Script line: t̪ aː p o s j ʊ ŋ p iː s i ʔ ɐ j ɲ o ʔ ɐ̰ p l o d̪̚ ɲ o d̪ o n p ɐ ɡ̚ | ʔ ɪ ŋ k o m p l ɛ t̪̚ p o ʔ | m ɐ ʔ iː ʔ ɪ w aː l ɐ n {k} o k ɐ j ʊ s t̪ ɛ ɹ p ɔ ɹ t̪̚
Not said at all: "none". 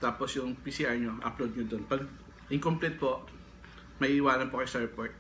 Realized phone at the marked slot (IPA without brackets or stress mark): p